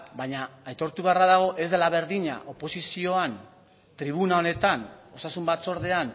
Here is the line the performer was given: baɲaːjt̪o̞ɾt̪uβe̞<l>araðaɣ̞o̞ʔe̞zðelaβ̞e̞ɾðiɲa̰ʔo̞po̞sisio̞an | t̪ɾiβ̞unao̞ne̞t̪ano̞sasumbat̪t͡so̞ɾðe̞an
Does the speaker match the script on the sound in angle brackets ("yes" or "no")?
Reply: no